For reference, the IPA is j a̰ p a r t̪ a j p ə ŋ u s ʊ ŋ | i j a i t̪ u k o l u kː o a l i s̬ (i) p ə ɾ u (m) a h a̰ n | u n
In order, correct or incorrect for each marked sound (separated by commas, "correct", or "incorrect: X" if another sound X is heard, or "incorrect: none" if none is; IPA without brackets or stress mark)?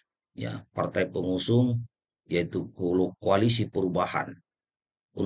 correct, incorrect: b